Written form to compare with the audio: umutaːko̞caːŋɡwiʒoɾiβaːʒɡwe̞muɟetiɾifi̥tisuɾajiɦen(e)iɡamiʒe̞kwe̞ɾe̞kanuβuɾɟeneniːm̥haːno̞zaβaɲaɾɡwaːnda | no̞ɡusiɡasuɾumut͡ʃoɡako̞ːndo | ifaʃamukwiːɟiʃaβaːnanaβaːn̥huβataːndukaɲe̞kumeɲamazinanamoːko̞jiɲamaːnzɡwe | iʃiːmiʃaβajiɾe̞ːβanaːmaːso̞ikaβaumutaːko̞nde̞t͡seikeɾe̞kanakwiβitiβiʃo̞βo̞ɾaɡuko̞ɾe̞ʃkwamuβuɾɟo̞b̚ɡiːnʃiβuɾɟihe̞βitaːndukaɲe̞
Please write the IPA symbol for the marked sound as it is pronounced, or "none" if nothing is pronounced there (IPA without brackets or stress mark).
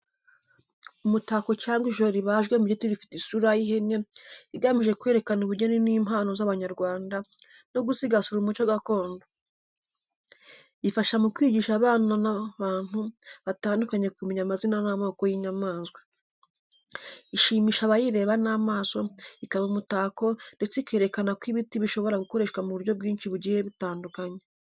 e